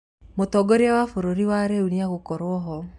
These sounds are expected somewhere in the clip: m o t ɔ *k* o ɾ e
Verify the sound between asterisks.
incorrect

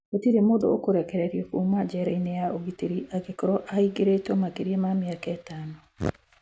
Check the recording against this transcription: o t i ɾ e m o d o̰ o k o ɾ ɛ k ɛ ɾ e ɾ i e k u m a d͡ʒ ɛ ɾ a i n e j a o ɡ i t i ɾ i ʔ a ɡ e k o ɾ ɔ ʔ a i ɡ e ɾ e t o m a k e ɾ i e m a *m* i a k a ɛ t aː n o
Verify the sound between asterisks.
correct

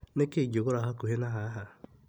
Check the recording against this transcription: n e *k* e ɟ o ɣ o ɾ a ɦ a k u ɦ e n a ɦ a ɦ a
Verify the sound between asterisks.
correct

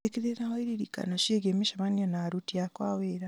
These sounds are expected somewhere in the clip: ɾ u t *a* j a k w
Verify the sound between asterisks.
incorrect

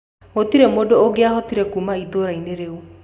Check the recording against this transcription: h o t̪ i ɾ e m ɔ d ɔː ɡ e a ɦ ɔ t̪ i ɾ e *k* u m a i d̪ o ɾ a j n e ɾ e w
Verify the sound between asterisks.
correct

